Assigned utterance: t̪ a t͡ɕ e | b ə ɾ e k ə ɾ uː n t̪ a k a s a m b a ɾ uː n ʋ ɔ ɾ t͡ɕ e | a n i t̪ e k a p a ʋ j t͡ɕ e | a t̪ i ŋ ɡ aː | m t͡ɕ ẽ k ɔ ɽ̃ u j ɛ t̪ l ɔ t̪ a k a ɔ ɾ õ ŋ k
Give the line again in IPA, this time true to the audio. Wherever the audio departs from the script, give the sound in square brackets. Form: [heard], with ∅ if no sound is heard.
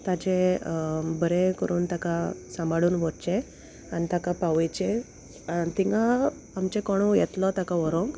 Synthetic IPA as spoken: t̪ a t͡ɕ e | b ə ɾ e k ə ɾ uː n t̪ a k a s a m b a [ɽ] uː n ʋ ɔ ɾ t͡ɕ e | a n i t̪ [a] k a p a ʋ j t͡ɕ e | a t̪ i ŋ ɡ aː | m t͡ɕ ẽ k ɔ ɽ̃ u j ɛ t̪ l ɔ t̪ a k a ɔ ɾ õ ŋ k